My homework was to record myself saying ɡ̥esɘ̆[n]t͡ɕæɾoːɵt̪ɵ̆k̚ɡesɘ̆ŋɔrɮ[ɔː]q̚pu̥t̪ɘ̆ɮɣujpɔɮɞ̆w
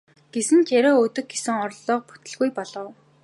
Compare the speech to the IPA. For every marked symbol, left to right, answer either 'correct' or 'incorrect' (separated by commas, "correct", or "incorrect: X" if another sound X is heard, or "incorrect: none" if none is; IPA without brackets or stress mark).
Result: correct, correct